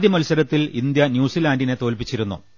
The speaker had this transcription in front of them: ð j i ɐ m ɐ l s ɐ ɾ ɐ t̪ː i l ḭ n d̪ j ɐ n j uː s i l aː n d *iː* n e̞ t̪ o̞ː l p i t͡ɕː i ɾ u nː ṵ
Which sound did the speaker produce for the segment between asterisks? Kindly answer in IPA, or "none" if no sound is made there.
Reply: i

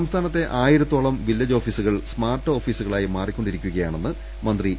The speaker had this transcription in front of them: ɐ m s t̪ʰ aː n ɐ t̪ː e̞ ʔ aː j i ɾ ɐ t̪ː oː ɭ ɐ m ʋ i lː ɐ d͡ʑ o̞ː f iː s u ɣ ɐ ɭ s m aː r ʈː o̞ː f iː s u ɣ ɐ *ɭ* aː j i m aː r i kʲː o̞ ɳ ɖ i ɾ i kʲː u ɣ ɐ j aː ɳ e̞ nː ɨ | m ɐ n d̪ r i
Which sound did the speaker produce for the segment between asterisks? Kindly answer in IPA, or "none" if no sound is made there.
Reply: ɭ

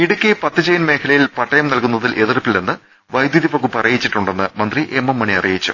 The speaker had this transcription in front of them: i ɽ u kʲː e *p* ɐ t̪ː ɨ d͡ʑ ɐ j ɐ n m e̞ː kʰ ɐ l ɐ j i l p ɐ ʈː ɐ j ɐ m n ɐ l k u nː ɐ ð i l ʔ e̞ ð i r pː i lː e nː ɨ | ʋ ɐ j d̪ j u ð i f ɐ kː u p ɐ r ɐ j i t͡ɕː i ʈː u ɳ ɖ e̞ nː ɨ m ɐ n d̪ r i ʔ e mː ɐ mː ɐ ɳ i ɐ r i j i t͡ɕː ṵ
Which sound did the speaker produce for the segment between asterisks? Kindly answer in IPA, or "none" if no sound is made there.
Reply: p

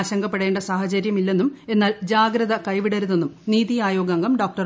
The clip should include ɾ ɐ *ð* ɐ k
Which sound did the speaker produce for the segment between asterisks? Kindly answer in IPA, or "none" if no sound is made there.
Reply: ð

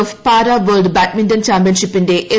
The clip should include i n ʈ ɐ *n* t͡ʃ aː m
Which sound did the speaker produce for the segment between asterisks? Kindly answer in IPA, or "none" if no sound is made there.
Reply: n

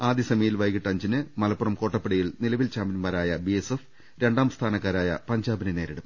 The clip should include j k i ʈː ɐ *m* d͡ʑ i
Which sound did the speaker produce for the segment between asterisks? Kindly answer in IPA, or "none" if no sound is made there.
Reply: ɲ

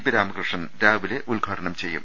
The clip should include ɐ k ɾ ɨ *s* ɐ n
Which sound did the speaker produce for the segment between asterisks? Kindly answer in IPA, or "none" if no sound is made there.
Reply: ʂ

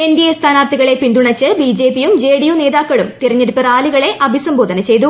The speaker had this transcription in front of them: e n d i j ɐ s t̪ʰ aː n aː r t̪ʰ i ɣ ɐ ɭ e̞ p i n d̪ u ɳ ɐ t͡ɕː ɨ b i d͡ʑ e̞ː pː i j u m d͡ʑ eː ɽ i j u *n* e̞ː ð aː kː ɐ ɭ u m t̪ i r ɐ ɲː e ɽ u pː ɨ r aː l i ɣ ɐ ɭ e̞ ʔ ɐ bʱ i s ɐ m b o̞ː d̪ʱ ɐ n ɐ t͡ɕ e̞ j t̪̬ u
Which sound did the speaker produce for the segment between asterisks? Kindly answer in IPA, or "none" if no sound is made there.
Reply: n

